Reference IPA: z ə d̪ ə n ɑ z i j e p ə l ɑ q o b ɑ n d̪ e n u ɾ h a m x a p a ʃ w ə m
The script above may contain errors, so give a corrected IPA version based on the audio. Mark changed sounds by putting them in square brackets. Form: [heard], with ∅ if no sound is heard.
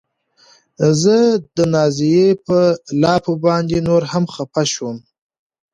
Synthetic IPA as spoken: z ə d̪ ə n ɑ z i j e p ə l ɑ [p] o b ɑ n d̪ e n [o] ɾ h a m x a p a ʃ w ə m